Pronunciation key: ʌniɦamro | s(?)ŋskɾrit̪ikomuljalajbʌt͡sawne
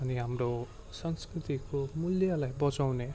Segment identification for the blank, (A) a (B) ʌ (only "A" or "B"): B